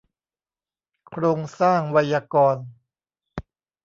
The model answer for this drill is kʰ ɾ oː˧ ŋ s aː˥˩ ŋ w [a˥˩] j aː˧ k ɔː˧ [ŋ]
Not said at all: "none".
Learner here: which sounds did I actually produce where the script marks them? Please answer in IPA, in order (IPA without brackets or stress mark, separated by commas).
a˧, n